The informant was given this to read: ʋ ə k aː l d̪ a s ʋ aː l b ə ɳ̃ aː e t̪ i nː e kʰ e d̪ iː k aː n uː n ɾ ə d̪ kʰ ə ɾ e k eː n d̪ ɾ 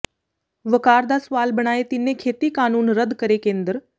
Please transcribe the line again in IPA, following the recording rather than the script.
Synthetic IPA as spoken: ʋ ə k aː ɾ d̪ a s ʋ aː l b ə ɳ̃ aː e t̪ i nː e kʰ e t̪ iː k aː n uː n ɾ ə d̪ k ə ɾ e k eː n d̪ ɾ